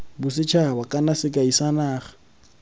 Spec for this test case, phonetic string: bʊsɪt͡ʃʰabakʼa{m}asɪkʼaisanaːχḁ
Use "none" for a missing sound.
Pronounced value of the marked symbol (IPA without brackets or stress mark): n